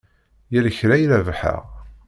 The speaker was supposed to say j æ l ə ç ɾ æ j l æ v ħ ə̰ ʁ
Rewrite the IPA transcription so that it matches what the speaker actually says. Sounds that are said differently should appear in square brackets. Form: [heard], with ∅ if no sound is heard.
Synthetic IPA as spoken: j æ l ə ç ɾ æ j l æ v ħ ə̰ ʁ